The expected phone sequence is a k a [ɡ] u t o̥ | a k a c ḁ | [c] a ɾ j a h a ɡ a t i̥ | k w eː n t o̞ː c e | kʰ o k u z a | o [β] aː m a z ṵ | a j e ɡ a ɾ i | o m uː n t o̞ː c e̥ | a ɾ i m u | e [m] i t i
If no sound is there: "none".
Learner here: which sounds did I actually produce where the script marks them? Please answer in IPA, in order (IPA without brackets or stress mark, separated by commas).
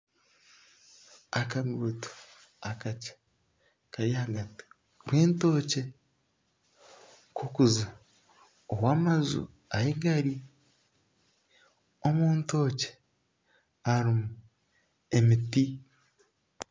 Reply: ɡ, k, w, m